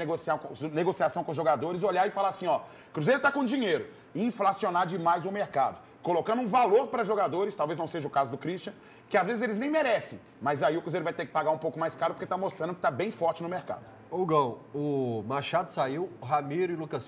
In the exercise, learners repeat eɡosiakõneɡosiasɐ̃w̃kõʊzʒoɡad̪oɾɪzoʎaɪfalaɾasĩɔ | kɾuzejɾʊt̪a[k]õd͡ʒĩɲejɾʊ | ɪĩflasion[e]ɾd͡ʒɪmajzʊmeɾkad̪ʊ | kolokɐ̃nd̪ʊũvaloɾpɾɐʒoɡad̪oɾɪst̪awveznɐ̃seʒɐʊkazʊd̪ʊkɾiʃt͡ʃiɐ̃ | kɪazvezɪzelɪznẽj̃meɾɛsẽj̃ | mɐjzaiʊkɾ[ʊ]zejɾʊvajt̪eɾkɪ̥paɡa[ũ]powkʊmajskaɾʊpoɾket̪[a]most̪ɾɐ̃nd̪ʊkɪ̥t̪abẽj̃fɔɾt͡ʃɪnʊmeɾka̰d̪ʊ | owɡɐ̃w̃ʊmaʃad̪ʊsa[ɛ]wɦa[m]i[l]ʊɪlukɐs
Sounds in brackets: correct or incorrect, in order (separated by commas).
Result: correct, incorrect, incorrect, correct, correct, incorrect, correct, incorrect